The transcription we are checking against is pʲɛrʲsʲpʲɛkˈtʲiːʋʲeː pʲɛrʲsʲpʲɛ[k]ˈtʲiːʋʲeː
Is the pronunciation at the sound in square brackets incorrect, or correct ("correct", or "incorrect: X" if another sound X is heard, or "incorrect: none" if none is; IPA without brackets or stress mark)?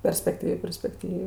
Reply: correct